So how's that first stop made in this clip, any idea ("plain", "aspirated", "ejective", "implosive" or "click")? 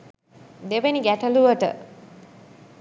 plain